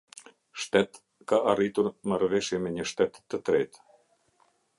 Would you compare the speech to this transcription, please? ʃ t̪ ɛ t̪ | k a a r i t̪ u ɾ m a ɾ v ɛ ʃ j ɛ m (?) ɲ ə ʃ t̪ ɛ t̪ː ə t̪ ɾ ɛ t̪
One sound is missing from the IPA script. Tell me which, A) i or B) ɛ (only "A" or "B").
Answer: B